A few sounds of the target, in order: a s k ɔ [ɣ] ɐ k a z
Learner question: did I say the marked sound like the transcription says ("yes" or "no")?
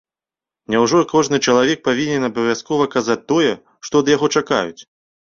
no